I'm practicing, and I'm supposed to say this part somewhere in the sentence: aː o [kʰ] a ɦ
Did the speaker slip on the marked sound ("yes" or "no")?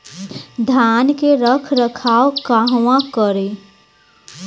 yes